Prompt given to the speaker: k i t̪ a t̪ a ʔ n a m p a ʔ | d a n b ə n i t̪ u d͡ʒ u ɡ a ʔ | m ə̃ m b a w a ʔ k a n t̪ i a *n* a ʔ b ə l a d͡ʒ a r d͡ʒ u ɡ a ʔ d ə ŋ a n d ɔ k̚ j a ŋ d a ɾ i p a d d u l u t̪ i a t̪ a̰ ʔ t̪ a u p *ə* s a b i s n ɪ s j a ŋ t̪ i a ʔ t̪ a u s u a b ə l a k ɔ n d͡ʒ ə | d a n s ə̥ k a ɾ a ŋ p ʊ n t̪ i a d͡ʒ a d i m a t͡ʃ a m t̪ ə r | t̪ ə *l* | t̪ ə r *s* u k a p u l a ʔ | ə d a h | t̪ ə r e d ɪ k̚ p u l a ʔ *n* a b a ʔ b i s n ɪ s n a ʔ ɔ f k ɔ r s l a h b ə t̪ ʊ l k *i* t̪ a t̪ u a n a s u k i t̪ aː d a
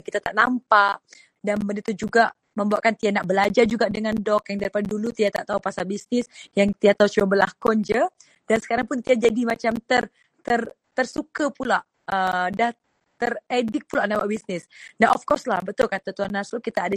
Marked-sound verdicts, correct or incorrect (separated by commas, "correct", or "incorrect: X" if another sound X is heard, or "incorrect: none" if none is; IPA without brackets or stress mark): correct, incorrect: a, incorrect: r, correct, correct, incorrect: a